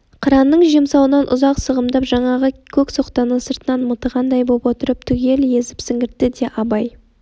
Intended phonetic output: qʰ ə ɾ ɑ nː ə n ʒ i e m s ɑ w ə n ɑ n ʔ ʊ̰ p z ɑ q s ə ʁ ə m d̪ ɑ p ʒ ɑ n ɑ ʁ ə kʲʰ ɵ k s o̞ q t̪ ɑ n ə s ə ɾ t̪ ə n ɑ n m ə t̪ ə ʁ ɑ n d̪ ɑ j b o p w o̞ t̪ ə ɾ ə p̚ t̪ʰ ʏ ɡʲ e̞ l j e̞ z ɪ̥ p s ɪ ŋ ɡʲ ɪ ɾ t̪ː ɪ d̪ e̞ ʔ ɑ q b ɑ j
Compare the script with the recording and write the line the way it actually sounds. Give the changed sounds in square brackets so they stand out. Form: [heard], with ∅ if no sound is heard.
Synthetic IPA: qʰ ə ɾ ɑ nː ə [ɴ] ʒ i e m s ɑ w ə n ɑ n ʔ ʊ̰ [∅] z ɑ q s ə ʁ ə m d̪ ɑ p ʒ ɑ [ɴ] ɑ ʁ ə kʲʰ ɵ k s o̞ q t̪ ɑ n ə s ə ɾ t̪ ə n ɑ n m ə t̪ ə ʁ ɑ n d̪ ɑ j b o p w o̞ t̪ ə ɾ ə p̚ t̪ʰ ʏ ɡʲ e̞ l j e̞ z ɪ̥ p s ɪ ŋ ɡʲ ɪ ɾ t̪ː ɪ d̪ e̞ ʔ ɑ [∅] b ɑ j